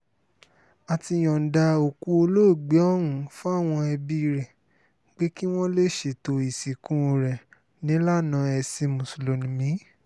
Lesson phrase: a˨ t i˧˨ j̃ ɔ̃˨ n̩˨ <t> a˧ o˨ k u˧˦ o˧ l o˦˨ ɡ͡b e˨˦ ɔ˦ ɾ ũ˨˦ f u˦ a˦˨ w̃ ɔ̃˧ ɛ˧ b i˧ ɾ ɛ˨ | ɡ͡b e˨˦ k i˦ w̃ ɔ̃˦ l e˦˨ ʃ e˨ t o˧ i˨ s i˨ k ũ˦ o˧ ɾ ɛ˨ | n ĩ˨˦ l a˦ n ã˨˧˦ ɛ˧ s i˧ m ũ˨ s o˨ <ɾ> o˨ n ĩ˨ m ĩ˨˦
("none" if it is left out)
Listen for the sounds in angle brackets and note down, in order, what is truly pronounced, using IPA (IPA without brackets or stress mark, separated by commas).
d, l